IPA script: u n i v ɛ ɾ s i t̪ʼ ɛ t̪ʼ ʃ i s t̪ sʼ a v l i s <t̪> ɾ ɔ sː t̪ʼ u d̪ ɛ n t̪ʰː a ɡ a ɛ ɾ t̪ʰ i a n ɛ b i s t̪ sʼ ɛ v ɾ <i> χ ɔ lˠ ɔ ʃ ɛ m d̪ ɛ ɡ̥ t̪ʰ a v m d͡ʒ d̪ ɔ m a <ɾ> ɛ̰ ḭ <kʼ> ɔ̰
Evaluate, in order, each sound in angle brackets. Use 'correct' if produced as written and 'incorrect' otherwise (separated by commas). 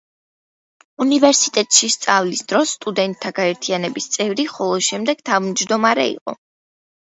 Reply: incorrect, correct, correct, incorrect